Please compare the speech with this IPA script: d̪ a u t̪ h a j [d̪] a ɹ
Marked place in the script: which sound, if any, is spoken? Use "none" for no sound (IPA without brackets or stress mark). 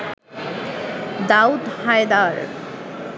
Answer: d̪